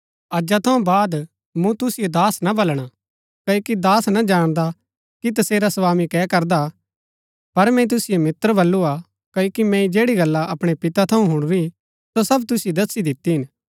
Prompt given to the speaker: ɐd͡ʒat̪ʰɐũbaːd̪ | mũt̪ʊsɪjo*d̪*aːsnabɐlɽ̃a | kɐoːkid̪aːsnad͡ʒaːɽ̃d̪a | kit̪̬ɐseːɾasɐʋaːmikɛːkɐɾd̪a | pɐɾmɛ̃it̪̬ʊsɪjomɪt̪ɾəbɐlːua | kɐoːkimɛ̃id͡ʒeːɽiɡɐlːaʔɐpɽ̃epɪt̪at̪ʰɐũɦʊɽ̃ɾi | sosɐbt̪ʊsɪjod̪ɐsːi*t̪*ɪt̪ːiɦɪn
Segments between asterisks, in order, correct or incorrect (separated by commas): correct, incorrect